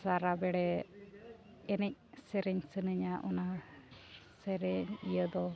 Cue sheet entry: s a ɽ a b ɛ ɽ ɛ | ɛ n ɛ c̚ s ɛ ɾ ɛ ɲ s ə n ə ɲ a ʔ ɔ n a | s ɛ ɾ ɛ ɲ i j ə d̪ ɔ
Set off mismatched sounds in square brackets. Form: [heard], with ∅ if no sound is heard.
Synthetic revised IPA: s a [ɾ] a b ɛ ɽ ɛ | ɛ n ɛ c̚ s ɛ ɾ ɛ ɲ s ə n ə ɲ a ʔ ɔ n a | s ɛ ɾ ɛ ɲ i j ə d̪ ɔ

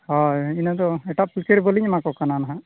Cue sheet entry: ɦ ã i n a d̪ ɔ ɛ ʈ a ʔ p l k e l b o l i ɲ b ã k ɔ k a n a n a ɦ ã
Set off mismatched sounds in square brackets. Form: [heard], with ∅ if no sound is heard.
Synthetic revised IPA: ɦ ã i n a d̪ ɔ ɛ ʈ a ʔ p l k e [ɾ] b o l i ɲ [m] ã k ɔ k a n a n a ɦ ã

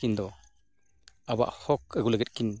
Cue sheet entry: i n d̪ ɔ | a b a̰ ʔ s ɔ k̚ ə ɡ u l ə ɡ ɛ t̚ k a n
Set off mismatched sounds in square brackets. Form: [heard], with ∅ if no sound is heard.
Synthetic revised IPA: i n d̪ ɔ | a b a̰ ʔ [h] ɔ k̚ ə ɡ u l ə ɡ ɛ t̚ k [i] n

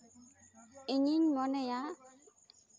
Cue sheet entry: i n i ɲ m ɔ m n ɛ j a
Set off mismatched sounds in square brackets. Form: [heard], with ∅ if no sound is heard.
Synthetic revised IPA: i [ɲ] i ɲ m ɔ [∅] n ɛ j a

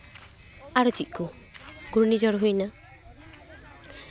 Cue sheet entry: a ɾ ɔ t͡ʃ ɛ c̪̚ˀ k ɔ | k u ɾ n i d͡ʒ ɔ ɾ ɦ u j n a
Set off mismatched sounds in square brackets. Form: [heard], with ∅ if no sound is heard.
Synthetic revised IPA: a ɾ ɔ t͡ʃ [i] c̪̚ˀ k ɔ | [ɡ] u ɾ n i d͡ʒ ɔ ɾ ɦ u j n a

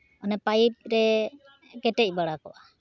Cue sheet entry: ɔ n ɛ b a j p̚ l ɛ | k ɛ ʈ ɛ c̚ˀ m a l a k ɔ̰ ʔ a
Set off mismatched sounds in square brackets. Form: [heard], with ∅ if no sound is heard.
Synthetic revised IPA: ɔ n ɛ [p] a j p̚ [ɾ] ɛ | k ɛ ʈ ɛ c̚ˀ [b] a [ɽ] a k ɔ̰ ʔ a

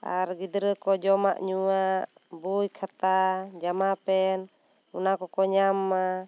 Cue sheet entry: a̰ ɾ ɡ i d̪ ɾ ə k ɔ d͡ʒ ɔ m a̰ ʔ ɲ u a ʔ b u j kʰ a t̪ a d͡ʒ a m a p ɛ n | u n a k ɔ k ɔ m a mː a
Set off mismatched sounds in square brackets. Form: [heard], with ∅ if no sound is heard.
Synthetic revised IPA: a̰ ɾ ɡ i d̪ ɾ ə k ɔ d͡ʒ ɔ m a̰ ʔ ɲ u a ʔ b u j kʰ a t̪ a d͡ʒ a m a p ɛ n | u n a k ɔ k ɔ [ɲ] a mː a

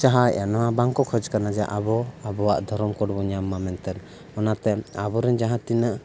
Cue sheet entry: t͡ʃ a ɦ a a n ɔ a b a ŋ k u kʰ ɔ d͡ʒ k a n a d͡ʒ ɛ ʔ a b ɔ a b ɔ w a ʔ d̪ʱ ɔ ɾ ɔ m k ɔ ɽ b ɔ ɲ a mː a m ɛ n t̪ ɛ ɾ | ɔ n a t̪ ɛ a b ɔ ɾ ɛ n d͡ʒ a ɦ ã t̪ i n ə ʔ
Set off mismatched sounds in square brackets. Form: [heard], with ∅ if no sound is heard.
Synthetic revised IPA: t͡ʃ a ɦ a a n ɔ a b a ŋ k [ɔ] kʰ ɔ d͡ʒ k a n a d͡ʒ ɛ ʔ a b ɔ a b ɔ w a ʔ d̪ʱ ɔ ɾ ɔ m k ɔ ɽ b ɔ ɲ a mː a m ɛ n t̪ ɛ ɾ | ɔ n a t̪ ɛ a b ɔ ɾ ɛ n d͡ʒ a ɦ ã t̪ i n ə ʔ

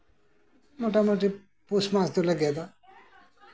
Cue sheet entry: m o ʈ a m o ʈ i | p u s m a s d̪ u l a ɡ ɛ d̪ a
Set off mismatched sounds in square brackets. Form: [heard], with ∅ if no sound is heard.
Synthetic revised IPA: m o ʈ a m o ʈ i | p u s m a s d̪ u l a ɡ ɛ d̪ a

